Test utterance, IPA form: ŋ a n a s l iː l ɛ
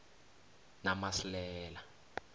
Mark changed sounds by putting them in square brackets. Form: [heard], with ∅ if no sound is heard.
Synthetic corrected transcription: [n] a [m] a s l [ɛː] l [a]